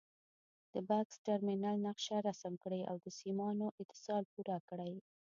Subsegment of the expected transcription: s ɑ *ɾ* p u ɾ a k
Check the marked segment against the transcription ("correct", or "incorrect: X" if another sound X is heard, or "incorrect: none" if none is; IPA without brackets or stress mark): incorrect: l